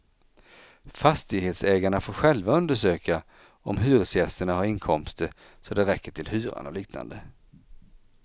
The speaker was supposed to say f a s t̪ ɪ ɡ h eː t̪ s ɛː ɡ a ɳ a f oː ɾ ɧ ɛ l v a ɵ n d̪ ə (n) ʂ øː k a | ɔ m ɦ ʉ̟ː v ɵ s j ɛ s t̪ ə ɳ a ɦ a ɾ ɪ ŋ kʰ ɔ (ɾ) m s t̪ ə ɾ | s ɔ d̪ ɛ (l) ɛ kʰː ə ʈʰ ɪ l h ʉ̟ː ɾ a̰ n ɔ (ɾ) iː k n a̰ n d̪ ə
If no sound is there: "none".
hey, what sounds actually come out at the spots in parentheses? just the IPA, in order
none, none, ɾ, l

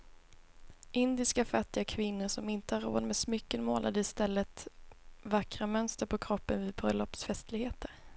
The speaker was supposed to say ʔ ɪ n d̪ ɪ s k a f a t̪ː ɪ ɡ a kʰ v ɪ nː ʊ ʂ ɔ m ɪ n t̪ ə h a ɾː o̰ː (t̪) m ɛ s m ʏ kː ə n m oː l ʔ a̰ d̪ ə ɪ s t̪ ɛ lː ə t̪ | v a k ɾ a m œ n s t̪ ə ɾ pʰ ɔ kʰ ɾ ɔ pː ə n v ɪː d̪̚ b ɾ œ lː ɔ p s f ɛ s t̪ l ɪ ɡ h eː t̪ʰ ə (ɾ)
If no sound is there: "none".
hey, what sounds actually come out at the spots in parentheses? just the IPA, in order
d̪, ɾ

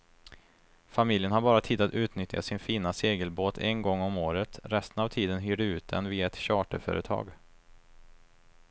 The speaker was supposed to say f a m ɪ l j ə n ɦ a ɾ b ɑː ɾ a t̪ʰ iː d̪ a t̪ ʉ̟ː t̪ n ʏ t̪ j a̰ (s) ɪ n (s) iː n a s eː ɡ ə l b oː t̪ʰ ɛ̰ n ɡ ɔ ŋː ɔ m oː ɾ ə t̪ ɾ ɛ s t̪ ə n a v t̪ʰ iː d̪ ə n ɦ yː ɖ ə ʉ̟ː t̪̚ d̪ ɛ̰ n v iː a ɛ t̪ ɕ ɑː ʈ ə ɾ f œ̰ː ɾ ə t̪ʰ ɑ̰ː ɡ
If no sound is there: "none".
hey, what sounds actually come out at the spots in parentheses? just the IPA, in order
s, f

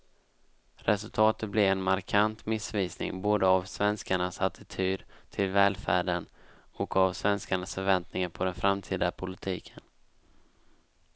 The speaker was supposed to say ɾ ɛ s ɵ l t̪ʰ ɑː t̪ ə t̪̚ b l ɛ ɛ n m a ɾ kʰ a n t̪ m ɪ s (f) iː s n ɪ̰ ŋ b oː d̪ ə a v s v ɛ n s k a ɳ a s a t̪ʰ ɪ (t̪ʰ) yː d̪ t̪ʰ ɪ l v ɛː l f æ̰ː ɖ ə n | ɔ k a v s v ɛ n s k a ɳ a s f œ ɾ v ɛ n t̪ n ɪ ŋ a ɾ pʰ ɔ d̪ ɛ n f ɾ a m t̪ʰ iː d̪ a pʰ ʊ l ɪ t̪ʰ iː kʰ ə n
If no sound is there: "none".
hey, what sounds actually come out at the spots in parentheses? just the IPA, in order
v, t̪ʰ

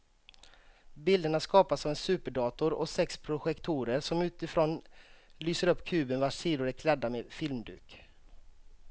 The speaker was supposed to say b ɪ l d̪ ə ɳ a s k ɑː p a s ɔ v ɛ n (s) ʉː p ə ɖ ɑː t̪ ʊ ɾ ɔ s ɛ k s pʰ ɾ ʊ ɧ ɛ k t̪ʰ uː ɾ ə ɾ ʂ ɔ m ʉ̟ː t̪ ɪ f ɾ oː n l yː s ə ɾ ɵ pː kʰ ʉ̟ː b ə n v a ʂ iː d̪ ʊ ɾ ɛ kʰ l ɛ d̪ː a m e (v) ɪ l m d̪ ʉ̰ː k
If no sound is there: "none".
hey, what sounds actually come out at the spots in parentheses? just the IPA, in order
s, f

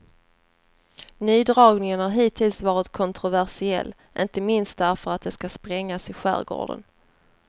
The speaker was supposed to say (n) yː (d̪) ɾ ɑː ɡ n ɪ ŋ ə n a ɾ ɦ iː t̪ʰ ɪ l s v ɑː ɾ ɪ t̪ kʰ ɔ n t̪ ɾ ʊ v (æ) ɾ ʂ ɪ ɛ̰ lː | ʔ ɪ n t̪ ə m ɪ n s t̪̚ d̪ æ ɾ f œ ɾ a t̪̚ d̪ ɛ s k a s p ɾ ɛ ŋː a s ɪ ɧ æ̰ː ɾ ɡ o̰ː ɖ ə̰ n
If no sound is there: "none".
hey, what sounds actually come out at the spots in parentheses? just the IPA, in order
n, d̪, æ

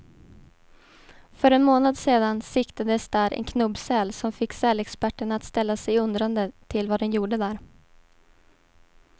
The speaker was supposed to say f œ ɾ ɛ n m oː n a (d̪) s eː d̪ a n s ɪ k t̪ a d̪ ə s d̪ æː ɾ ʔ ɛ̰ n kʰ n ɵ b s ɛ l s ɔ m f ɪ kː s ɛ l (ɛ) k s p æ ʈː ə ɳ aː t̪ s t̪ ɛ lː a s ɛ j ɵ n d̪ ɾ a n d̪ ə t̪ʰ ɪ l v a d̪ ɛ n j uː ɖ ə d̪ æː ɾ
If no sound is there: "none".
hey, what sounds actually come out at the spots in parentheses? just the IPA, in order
d̪, ɛ

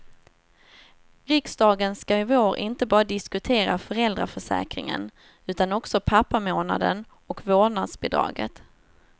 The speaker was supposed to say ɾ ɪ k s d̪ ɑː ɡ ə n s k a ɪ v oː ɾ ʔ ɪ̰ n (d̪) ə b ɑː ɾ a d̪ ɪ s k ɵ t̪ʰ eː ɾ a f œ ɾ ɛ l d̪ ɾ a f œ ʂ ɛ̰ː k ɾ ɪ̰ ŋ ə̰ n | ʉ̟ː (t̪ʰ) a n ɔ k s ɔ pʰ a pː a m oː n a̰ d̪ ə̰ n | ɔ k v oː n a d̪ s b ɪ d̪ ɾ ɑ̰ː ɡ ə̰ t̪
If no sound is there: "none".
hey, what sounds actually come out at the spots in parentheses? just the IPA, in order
t̪, t̪

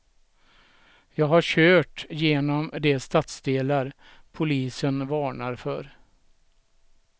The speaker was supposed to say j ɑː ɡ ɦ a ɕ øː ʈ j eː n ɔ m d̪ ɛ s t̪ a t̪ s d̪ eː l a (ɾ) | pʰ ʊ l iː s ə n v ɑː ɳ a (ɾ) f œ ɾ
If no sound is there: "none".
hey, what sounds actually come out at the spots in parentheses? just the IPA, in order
ɾ, ɾ

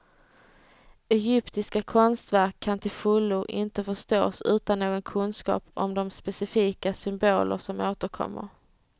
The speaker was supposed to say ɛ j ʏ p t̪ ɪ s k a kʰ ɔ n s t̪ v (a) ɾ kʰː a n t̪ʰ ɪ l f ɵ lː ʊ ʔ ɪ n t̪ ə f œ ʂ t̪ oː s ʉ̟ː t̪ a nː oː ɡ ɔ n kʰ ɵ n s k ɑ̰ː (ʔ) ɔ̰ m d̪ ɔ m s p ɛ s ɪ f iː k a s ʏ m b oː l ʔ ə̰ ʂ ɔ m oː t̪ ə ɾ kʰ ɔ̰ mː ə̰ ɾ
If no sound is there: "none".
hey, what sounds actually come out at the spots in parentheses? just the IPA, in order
æ, p

